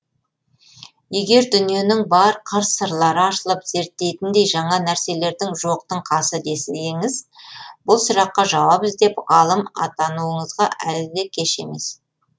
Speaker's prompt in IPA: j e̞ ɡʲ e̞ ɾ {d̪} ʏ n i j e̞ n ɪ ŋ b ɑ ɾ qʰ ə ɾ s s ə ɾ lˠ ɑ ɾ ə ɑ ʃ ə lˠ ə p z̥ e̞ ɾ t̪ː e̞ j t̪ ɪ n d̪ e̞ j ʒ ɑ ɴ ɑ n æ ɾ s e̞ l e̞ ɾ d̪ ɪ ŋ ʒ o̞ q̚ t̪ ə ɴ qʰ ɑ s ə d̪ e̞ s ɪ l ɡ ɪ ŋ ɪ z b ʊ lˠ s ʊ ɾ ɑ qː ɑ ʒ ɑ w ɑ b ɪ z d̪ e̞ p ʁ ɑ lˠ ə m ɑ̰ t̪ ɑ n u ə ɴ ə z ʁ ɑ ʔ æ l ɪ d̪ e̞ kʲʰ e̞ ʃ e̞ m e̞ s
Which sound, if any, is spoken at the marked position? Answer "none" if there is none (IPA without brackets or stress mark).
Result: d̪